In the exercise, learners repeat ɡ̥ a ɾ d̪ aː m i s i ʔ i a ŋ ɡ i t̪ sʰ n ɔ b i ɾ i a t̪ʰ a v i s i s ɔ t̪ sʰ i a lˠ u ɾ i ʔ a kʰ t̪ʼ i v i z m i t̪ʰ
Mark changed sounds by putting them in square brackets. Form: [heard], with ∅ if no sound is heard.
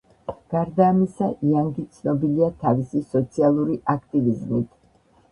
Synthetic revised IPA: ɡ̥ a ɾ d̪ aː m i s [a] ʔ i a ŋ ɡ i t̪ sʰ n ɔ b i [l] i a t̪ʰ a v i s i s ɔ t̪ sʰ i a lˠ u ɾ i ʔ a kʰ t̪ʼ i v i z m i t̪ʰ